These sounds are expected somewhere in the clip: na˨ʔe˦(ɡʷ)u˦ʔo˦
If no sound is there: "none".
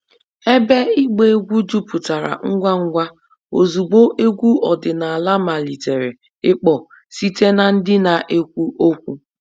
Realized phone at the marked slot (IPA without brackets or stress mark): kʷ